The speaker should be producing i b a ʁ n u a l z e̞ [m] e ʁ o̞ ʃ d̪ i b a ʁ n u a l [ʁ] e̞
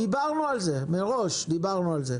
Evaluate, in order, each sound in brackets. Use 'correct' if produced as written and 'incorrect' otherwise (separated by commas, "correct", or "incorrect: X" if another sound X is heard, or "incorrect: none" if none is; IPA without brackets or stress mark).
correct, incorrect: z